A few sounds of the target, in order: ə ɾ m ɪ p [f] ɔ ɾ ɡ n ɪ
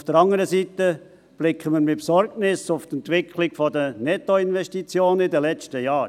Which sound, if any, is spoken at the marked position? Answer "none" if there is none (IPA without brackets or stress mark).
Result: s